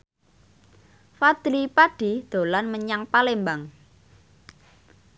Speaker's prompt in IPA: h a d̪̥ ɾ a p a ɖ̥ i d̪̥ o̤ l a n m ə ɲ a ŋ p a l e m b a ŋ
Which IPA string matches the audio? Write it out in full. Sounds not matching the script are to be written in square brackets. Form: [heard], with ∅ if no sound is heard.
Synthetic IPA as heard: [f] a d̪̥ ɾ [i] p a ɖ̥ i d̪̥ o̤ l a n m ə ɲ a ŋ p a l e m b a ŋ